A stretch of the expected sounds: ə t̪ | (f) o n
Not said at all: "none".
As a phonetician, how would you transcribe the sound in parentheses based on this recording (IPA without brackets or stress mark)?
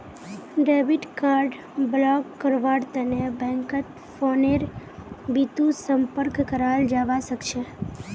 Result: f